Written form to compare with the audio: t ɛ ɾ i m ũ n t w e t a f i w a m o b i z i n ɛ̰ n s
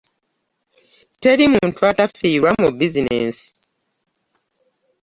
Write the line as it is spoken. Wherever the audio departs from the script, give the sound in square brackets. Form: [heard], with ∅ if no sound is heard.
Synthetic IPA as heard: t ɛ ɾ i m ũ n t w [a] t a f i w a m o b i z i n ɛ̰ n s

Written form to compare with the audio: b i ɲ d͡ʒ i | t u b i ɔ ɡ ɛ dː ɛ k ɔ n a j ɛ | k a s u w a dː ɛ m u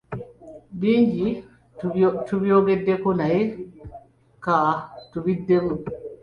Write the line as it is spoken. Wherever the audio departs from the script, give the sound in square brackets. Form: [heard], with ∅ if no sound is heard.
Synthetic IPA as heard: b i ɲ d͡ʒ i | t u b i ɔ ɡ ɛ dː ɛ k ɔ n a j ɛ | k a [t] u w [i] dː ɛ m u

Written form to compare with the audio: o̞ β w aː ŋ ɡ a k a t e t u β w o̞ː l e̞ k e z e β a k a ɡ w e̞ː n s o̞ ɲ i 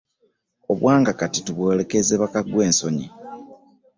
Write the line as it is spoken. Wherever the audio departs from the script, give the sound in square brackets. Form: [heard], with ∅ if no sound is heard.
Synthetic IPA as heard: o̞ β w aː ŋ ɡ a k a t [i] t u β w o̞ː l e̞ k e z e β a k a ɡ w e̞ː n s o̞ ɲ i

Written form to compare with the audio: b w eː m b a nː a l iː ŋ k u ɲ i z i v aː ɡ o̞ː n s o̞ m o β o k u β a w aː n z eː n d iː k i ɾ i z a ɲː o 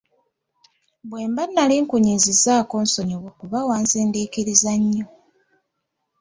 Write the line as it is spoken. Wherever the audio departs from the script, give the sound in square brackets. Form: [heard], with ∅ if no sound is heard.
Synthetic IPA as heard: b w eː m b a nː a l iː ŋ k u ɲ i z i [z] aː [k] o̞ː n s o̞ [ɲ] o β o k u β a w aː n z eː n d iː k i ɾ i z a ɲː o

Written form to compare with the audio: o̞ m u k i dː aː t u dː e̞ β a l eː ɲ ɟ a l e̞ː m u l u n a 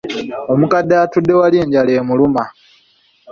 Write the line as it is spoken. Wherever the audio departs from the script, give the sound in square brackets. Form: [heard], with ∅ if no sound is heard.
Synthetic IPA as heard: o̞ m u k [a] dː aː t u dː e̞ [w] a l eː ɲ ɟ a l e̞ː m u l u [m] a

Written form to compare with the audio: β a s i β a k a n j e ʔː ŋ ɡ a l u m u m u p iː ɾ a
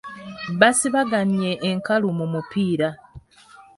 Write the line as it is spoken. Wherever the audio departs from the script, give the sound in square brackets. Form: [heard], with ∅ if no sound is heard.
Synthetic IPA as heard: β a s i β a [ɡ] a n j e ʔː ŋ [k] a l u m u m u p iː ɾ a

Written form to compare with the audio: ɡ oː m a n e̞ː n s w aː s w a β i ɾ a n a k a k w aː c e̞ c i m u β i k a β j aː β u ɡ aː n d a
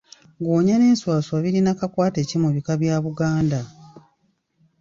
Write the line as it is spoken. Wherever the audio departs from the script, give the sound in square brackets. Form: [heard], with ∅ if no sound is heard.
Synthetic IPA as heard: ɡ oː [ɲ] a n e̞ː n s w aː s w a β i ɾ [i] n a k a k w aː [t] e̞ c i m u β i k a β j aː β u ɡ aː n d a

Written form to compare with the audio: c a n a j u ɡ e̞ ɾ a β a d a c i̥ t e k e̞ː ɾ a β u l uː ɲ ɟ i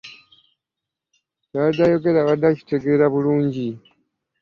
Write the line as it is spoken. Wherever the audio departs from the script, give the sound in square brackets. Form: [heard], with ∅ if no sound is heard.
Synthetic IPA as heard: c a [d] a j [o] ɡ e̞ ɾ a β a d a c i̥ t e [ɡ] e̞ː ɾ a β u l uː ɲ ɟ i

